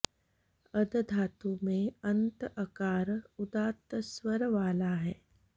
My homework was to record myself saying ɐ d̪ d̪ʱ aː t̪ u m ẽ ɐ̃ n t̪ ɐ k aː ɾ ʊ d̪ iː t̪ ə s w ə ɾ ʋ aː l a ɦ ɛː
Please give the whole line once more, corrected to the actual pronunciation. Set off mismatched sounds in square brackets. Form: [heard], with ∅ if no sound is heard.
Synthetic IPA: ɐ d̪ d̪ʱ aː t̪ u m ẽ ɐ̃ n t̪ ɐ k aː ɾ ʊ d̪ [aː] t̪ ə s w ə ɾ ʋ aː l a ɦ ɛː